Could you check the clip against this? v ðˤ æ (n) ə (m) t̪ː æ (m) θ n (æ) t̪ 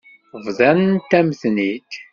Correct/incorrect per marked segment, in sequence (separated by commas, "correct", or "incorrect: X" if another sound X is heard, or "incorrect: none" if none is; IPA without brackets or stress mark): correct, incorrect: n, correct, incorrect: i